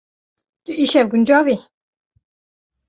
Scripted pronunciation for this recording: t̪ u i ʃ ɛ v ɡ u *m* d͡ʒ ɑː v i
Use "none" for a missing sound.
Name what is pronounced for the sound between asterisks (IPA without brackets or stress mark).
n